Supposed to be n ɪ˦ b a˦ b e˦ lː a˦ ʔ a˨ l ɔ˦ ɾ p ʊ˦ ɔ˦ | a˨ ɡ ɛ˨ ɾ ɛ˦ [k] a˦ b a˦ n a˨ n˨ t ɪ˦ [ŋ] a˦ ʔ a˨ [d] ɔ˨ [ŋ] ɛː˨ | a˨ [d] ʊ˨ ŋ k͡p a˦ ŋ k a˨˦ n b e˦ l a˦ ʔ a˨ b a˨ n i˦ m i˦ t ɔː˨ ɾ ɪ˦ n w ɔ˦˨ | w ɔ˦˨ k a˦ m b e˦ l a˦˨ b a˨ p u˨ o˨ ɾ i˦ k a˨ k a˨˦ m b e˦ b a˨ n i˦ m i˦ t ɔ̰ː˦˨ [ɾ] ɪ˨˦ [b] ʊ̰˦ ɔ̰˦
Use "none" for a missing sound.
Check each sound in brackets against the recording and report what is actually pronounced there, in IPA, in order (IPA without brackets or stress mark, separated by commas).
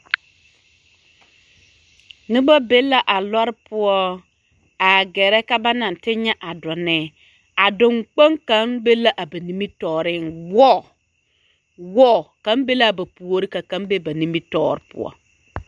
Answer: k, ɲ, d, n, d, ɾ, p